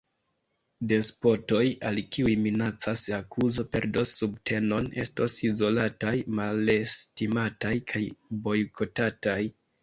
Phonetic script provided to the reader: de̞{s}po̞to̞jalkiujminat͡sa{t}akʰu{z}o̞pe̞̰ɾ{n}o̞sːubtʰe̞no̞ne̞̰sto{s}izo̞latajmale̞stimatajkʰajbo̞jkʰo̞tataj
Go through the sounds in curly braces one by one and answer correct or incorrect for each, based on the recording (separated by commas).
correct, incorrect, correct, incorrect, correct